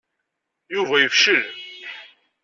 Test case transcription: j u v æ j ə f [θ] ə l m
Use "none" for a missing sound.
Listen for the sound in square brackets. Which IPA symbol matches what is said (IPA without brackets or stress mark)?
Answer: ʃ